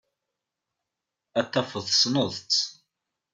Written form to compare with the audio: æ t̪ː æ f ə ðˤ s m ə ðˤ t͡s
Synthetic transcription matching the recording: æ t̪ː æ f ə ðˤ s n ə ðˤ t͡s